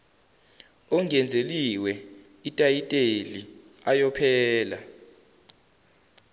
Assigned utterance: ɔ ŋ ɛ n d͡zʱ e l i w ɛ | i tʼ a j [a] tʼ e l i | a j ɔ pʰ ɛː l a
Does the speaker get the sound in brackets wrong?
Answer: yes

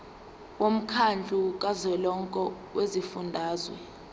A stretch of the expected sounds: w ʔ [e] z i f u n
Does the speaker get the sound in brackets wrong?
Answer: no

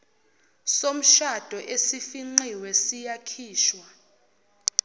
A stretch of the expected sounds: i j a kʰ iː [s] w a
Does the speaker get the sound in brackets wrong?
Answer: yes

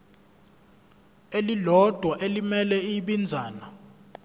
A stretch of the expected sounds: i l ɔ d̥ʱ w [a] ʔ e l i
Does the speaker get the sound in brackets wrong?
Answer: no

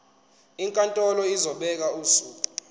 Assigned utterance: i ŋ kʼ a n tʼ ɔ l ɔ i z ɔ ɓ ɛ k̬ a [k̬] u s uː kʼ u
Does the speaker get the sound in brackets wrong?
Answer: yes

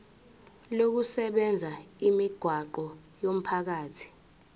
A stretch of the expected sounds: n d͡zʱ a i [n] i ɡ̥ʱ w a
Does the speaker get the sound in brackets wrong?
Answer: yes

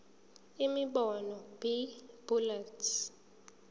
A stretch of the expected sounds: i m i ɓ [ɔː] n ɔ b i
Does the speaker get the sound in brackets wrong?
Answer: yes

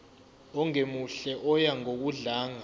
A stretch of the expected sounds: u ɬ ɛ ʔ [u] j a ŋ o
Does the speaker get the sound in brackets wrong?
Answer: yes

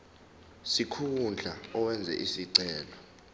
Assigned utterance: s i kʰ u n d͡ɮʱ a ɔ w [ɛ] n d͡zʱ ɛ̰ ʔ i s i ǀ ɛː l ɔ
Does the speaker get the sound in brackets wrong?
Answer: no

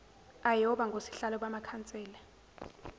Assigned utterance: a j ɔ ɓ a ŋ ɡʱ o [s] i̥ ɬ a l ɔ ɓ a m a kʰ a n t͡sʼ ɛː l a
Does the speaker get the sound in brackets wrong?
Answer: no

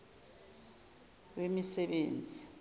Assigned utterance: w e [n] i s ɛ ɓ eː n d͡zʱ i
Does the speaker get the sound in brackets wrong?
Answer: yes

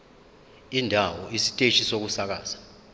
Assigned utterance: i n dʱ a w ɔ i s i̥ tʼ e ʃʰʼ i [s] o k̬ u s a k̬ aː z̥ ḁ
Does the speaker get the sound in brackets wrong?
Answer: no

